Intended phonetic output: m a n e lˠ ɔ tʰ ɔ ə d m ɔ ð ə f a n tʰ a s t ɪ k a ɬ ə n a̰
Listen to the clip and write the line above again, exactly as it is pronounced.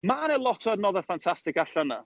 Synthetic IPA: m a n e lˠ ɔ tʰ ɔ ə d n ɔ ð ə f a n tʰ a s t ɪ k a ɬ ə n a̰